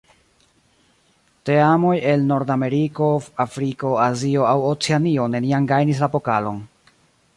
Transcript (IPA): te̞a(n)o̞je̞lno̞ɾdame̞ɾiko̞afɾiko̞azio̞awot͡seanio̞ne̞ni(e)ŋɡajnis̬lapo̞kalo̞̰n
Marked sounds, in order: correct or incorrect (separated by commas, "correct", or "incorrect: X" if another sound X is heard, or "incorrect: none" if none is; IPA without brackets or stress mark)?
incorrect: m, incorrect: a